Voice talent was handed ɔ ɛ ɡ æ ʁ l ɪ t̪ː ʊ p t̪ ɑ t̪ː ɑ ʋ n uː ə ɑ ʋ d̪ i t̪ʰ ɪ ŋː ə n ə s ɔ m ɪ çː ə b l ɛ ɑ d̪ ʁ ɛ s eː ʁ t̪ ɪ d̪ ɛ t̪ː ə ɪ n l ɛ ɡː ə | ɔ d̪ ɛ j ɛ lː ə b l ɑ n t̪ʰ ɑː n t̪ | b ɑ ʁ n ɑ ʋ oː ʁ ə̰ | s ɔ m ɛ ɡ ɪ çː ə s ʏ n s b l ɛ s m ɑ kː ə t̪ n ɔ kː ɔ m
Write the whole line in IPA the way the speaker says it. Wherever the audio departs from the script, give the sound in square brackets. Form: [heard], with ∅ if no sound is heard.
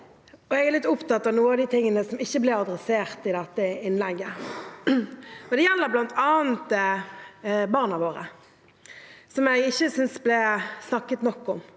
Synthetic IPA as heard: ɔ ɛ ɡ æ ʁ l ɪ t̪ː ʊ p t̪ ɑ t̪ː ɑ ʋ n uː ə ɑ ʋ d̪ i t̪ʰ ɪ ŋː ə n ə s ɔ m ɪ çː ə b l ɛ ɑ d̪ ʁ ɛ s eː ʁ t̪ ɪ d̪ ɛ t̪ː ə ɪ n l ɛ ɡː ə | ɔ d̪ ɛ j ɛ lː ə b l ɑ n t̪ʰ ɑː n t̪ | b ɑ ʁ n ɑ ʋ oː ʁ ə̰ | s ɔ m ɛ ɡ ɪ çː ə s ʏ n s b l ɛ s [n] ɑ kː ə t̪ n ɔ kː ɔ m